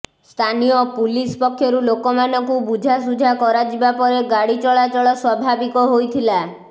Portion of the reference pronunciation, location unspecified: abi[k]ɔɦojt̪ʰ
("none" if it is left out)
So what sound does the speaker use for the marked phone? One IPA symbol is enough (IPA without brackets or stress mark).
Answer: k